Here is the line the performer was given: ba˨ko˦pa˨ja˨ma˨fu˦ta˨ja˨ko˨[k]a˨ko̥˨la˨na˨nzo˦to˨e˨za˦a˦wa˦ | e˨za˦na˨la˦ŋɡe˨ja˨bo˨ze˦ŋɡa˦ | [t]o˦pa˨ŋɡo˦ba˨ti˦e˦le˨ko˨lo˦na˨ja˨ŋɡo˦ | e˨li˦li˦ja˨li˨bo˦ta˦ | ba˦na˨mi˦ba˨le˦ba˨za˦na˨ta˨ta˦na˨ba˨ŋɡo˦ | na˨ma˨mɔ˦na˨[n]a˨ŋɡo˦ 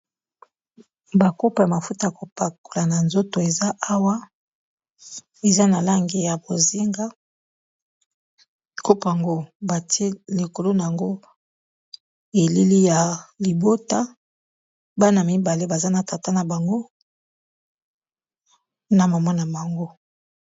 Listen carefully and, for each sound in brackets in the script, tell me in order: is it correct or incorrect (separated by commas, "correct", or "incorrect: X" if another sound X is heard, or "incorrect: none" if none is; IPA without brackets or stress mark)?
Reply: incorrect: p, incorrect: k, incorrect: m